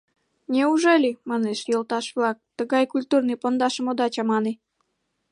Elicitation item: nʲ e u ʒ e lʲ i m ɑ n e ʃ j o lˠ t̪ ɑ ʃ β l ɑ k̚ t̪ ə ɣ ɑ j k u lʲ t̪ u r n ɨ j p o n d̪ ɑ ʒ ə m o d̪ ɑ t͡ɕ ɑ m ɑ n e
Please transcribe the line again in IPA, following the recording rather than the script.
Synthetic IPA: nʲ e u ʒ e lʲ i m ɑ n e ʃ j o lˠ t̪ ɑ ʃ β l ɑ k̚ t̪ ə ɣ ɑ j k u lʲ t̪ u r n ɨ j p o n d̪ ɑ ʃ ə m o d̪ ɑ t͡ɕ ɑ m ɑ n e